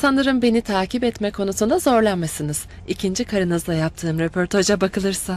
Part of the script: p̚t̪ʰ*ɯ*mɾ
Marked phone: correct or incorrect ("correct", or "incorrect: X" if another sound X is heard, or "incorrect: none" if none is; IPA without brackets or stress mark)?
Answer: incorrect: ɯː